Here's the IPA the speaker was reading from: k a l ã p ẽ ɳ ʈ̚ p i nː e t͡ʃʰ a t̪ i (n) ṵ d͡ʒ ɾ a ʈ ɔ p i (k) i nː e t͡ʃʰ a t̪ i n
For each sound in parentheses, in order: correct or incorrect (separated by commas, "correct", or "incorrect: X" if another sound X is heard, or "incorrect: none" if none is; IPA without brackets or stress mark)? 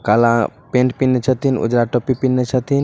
correct, incorrect: p